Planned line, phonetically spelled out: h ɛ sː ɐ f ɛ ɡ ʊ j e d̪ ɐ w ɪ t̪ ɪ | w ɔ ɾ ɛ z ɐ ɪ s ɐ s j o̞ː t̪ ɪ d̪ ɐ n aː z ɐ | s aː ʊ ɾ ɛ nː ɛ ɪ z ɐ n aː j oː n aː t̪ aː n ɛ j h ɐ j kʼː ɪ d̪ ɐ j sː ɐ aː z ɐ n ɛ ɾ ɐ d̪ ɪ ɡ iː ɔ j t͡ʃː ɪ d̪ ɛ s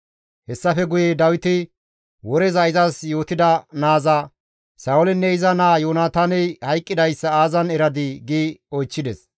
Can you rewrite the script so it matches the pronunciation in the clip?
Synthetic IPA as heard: h ɛ sː ɐ f ɛ ɡ ʊ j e d̪ ɐ w ɪ t̪ ɪ | w ɔ ɾ ɛ z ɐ ɪ z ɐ s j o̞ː t̪ ɪ d̪ ɐ n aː z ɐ | s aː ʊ l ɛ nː ɛ ɪ z ɐ n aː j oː n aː t̪ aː n ɛ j h ɐ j kʼː ɪ d̪ ɐ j sː ɐ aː z ɐ n ɛ ɾ ɐ d̪ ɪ ɡ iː ɔ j t͡ʃː ɪ d̪ ɛ s